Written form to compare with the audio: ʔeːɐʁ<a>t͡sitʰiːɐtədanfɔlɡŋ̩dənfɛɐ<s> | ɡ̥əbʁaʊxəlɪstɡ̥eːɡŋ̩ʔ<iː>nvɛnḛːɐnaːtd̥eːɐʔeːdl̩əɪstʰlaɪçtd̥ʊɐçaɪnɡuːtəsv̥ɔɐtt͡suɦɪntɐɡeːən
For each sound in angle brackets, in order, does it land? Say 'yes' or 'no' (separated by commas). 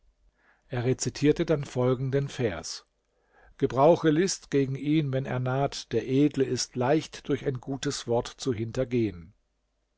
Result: no, yes, yes